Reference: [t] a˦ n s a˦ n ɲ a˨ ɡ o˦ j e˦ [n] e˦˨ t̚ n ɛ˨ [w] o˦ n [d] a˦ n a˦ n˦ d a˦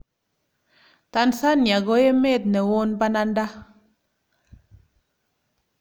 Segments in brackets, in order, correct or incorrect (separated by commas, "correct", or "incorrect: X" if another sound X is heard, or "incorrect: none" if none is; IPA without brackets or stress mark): correct, incorrect: m, correct, incorrect: b